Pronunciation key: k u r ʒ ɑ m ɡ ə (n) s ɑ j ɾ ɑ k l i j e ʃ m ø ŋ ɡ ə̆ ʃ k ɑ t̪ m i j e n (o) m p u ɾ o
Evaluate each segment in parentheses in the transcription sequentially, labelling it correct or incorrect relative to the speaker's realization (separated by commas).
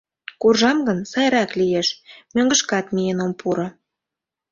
correct, correct